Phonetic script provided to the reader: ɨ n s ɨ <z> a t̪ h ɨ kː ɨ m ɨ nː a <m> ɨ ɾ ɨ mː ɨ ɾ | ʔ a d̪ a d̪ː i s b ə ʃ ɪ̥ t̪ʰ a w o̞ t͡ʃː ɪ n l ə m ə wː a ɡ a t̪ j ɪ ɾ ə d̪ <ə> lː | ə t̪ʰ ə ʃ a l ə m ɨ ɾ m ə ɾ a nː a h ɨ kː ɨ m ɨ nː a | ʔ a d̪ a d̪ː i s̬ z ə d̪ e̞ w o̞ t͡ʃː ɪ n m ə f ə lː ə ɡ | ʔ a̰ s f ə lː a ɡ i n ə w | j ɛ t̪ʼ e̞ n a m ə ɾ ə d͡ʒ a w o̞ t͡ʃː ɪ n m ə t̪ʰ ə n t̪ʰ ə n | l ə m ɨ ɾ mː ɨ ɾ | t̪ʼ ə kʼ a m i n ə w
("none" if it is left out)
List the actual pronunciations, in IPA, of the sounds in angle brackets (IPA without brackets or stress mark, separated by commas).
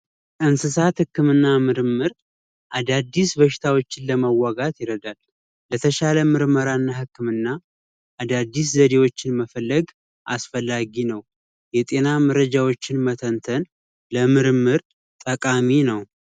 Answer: s, m, a